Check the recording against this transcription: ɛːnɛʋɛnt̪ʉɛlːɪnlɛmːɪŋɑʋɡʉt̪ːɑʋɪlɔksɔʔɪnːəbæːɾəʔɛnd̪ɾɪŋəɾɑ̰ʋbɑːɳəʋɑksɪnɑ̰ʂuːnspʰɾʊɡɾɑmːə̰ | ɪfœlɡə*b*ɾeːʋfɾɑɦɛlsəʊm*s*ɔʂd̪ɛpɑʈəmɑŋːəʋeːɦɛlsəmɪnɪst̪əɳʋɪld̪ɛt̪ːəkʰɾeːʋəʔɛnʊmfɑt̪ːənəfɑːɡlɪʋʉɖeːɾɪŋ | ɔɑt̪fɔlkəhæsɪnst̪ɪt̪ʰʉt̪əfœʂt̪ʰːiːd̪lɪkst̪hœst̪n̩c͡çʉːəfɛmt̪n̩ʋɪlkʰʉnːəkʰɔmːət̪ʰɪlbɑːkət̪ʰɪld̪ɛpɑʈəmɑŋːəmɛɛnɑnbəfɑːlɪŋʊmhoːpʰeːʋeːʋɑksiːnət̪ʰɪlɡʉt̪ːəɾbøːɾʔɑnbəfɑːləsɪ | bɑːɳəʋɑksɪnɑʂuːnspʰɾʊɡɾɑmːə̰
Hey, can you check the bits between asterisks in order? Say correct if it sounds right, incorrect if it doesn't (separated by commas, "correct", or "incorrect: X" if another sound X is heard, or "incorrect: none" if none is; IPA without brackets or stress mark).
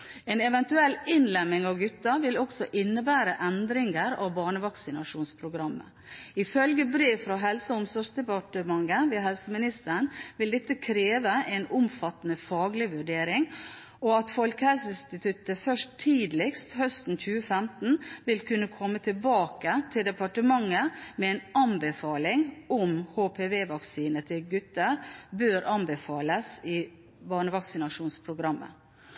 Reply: correct, correct